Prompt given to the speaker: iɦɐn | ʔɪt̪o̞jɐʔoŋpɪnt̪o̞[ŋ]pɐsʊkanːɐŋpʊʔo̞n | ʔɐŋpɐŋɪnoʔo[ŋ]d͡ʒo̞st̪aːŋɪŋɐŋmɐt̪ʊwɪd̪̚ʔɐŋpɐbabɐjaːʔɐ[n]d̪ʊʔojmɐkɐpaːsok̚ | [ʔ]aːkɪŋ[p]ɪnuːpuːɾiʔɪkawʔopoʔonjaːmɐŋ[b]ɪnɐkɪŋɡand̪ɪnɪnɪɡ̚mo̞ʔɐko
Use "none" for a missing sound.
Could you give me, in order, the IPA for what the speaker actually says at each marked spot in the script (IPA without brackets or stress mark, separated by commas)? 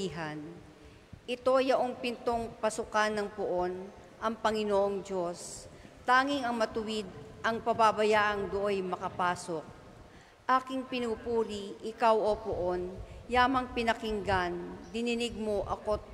ŋ, ŋ, ŋ, ʔ, p, p